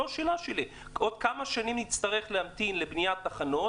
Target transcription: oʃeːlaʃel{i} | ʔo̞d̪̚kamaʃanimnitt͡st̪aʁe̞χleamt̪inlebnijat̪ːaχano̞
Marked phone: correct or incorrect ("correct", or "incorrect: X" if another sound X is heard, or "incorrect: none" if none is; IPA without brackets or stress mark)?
correct